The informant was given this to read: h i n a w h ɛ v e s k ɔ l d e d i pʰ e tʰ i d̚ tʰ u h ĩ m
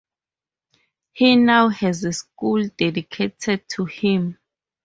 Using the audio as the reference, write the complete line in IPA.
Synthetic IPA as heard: h i n a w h ɛ z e s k u l d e d i kʰ e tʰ ɛ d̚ tʰ u h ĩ m